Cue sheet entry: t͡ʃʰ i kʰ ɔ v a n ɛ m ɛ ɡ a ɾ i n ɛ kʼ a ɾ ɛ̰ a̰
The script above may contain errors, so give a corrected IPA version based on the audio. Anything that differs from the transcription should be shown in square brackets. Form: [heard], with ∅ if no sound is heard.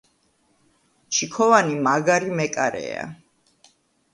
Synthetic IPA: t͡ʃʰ i kʰ ɔ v a n [i] m [a] ɡ a ɾ i [m] ɛ kʼ a ɾ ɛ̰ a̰